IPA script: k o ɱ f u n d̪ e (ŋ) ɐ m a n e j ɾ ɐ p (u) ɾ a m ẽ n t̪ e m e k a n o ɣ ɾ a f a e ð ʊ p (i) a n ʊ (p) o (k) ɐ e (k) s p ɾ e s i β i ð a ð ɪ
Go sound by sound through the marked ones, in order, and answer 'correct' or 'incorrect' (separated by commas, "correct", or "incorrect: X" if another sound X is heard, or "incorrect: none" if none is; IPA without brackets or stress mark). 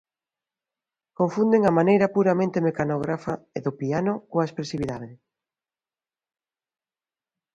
correct, correct, correct, incorrect: k, incorrect: none, incorrect: none